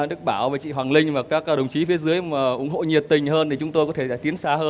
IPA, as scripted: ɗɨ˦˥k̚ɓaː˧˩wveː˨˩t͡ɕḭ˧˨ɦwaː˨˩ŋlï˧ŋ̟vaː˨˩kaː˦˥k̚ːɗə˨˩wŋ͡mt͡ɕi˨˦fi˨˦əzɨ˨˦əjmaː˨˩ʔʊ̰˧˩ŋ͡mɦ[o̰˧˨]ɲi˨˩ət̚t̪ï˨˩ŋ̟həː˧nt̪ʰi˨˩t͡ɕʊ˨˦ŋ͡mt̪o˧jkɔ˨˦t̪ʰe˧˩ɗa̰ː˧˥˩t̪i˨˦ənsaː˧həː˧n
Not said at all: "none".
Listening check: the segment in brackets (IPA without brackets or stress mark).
o̰˧˨